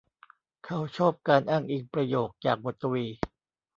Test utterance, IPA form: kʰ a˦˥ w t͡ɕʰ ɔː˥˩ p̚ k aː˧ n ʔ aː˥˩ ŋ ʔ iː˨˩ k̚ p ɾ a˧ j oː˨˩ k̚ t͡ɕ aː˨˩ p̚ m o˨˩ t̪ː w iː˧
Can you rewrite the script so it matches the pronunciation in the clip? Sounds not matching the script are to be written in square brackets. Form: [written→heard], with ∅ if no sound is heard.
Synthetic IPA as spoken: kʰ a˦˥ w t͡ɕʰ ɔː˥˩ p̚ k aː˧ n ʔ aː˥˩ ŋ ʔ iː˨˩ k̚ p ɾ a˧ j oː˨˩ k̚ t͡ɕ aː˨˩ [p̚→k̚] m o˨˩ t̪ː w iː˧